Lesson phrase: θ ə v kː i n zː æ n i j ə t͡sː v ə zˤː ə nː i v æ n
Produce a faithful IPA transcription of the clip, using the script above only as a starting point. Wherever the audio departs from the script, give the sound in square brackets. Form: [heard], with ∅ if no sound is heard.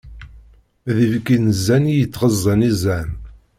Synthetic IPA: [ð] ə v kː i n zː æ n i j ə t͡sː [ʁ] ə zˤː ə [n] i [z] æ n